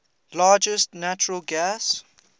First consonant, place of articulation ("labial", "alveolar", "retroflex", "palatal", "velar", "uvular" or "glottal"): alveolar